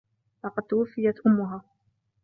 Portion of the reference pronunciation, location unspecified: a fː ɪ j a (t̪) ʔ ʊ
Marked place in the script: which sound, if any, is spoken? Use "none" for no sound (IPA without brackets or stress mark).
t̪